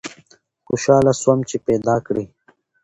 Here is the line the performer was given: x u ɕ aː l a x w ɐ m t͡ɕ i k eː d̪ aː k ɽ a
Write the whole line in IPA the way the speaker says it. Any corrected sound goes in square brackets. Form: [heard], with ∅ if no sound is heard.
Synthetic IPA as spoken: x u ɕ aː l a [s] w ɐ m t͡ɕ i [p] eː d̪ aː k ɽ [i]